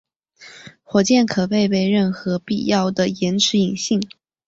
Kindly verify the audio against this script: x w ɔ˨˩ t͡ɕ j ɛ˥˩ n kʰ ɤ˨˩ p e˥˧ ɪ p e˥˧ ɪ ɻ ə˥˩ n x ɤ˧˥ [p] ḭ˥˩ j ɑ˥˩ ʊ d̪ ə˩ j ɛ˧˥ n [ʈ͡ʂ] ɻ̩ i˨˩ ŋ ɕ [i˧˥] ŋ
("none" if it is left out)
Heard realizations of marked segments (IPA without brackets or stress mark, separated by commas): p, ʈ͡ʂʰ, i˥˩